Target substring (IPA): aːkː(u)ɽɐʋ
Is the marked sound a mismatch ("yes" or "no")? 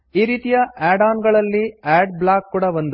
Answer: yes